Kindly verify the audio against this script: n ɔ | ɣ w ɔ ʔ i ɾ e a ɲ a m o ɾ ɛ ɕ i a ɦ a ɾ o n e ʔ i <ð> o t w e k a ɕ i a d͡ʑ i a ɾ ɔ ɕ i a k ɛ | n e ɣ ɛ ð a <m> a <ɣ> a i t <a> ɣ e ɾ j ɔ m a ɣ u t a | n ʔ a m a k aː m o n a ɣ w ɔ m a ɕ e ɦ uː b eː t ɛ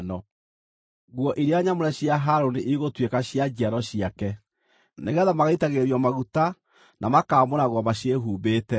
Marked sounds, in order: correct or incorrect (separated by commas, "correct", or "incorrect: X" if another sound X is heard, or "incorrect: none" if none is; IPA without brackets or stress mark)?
incorrect: ɣ, correct, correct, correct